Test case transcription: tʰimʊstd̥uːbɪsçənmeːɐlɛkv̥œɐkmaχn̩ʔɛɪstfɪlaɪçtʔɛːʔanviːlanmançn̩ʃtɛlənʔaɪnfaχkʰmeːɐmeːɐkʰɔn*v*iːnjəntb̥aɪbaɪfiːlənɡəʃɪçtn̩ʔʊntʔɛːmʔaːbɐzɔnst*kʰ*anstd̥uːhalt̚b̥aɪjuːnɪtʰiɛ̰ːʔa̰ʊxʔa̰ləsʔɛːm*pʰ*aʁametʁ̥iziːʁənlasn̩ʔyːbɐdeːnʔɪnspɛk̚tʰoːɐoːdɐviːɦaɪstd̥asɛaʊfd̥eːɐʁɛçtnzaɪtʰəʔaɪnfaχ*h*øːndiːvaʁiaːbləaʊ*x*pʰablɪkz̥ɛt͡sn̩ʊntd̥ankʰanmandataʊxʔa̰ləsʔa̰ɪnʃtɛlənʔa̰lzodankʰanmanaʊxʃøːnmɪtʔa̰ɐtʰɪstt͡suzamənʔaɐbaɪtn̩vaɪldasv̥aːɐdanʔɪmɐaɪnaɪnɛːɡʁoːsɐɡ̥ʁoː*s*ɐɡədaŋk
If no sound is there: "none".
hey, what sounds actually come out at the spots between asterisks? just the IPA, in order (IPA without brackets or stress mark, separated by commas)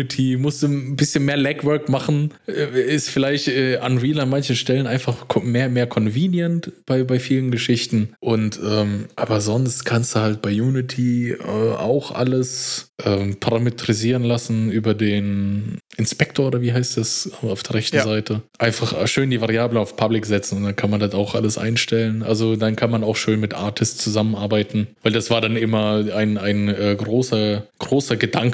v, kʰ, pʰ, ʃ, f, s